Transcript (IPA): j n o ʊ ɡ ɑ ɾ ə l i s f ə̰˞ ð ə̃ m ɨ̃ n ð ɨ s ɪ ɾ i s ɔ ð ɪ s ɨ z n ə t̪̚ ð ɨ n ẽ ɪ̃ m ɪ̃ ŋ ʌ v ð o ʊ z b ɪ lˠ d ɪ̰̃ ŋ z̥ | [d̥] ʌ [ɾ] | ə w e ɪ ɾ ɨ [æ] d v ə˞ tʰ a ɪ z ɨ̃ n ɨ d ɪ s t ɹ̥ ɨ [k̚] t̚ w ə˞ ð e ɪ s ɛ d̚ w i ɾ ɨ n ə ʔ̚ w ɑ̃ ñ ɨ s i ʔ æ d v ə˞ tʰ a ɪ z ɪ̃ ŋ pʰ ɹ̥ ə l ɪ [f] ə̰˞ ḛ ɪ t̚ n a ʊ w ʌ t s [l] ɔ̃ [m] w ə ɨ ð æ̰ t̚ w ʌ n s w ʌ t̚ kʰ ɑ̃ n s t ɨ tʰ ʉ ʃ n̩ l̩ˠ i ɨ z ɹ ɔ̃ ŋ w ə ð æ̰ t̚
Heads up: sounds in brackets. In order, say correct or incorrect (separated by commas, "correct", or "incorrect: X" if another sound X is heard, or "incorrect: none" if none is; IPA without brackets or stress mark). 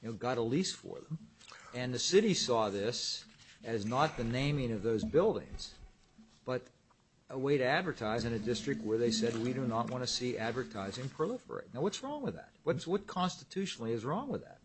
incorrect: b̥, correct, correct, correct, correct, incorrect: ɹ, incorrect: ŋ